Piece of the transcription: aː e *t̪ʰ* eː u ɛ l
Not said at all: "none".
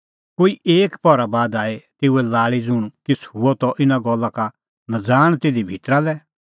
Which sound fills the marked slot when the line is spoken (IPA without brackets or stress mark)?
t̪